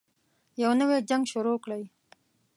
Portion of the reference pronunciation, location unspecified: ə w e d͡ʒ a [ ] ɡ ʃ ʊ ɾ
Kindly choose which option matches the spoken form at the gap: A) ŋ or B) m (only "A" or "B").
A